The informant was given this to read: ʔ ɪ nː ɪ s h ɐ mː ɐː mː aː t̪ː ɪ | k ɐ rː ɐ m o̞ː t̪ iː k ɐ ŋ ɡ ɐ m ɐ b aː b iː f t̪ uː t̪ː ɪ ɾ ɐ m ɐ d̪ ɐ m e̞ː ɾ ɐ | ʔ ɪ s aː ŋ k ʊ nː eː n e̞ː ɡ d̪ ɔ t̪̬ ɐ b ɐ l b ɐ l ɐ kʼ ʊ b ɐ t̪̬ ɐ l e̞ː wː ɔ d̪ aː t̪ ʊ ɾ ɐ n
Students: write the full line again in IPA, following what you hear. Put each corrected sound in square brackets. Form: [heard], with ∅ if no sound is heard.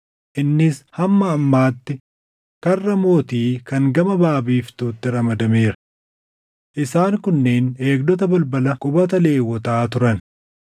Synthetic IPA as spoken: ʔ ɪ nː ɪ s h ɐ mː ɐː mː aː t̪ː ɪ | k ɐ rː ɐ m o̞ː t̪ iː k ɐ ŋ ɡ ɐ m ɐ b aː b iː f t̪ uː t̪ː ɪ ɾ ɐ m ɐ d̪ ɐ m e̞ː ɾ ɐ | ʔ ɪ s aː ŋ k ʊ nː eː n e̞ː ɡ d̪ ɔ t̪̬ ɐ b ɐ l b ɐ l ɐ kʼ ʊ b ɐ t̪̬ ɐ l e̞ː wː ɔ [t̪] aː t̪ ʊ ɾ ɐ n